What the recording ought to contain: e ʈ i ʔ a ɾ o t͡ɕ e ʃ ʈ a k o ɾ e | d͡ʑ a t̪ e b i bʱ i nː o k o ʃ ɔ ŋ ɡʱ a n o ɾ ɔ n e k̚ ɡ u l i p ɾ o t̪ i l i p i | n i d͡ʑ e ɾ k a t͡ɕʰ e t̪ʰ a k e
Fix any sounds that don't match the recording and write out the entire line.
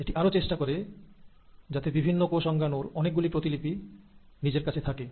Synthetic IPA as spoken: e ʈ i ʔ a ɾ o t͡ɕ e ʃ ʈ a k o ɾ e | d͡ʑ a t̪ e b i bʱ i nː o k o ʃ ɔ ŋ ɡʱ a n o ɾ ɔ n e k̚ ɡ u l i p ɾ o t̪ i l i p i | n i d͡ʑ e ɾ k a t͡ɕʰ e t̪ʰ a k e